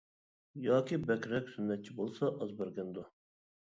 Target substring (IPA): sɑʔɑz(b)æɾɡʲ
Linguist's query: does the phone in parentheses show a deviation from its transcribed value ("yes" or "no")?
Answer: no